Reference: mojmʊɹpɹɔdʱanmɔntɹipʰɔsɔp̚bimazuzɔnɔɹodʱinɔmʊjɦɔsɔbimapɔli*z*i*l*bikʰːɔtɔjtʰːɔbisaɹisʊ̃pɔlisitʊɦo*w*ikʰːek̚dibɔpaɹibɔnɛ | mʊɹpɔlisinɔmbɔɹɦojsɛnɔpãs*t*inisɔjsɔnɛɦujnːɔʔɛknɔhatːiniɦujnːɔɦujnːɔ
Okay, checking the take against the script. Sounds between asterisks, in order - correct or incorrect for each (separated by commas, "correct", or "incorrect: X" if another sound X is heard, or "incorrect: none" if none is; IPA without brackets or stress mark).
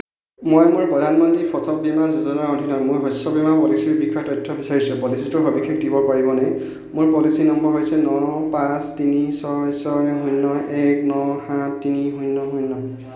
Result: incorrect: s, incorrect: ɹ, incorrect: b, correct